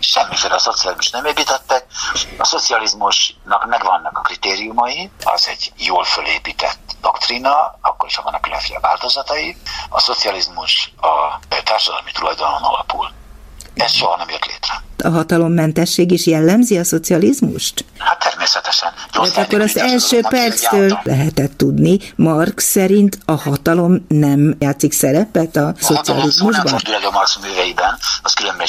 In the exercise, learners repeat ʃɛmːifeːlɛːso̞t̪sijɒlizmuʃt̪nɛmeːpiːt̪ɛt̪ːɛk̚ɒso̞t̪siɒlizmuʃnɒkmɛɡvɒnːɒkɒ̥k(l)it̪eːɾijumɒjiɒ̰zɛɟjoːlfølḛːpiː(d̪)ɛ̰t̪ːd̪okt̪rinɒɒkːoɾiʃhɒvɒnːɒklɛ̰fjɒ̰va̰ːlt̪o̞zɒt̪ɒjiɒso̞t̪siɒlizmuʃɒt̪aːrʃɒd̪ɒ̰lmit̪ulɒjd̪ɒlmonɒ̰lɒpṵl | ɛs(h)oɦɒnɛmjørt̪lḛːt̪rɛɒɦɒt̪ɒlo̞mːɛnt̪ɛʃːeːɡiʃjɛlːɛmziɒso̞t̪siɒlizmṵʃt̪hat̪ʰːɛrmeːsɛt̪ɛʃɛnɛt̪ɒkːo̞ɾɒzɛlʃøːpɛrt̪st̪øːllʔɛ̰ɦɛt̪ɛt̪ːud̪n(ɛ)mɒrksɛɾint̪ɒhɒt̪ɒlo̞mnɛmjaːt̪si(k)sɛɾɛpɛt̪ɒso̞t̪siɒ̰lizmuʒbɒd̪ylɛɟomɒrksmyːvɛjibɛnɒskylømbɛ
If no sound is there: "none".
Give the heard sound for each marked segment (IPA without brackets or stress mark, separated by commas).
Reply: r, t̪, ʃ, i, k